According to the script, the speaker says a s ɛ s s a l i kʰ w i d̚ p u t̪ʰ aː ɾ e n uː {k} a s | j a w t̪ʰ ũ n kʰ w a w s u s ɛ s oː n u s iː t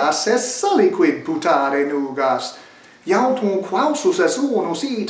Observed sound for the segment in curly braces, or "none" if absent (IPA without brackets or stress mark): ɡ